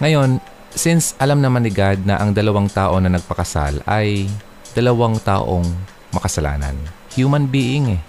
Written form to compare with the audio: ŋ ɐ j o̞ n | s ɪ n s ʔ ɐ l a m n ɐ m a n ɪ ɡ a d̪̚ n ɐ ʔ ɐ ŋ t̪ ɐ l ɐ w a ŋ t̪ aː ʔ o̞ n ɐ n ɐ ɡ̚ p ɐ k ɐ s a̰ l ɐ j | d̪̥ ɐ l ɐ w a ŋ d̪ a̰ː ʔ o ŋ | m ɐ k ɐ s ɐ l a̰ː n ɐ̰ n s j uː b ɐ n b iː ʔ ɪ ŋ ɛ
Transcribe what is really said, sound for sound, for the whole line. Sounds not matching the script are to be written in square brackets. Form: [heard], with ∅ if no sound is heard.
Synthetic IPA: ŋ ɐ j o̞ n | s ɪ n s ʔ ɐ l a m n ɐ m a n ɪ ɡ a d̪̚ n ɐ ʔ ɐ ŋ [d̪] ɐ l ɐ w a ŋ t̪ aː ʔ o̞ n ɐ n ɐ ɡ̚ p ɐ k ɐ s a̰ l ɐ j | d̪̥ ɐ l ɐ w a ŋ [t̪] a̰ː ʔ o ŋ | m ɐ k ɐ s ɐ l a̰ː n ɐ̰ n [h] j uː [m] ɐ n b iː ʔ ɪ ŋ ɛ